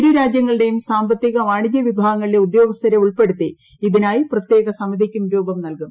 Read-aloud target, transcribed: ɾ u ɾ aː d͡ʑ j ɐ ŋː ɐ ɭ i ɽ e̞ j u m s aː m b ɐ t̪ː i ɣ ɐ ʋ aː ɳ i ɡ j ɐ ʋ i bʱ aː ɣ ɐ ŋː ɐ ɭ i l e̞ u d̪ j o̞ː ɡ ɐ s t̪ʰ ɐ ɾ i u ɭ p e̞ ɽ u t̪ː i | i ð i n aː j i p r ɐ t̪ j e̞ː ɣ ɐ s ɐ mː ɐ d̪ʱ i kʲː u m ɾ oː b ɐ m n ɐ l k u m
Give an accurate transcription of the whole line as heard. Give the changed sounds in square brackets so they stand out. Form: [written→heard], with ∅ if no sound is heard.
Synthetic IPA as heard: ɾ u ɾ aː d͡ʑ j ɐ ŋː ɐ ɭ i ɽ e̞ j u m s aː m b ɐ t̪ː i ɣ ɐ ʋ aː ɳ i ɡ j ɐ ʋ i bʱ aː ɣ ɐ ŋː ɐ ɭ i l e̞ u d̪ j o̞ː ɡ ɐ s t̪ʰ ɐ ɾ [i→e] u ɭ p e̞ ɽ u t̪ː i | i ð i n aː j i p r ɐ t̪ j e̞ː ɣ ɐ s ɐ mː ɐ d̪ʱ i kʲː u m ɾ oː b ɐ m n ɐ l k u m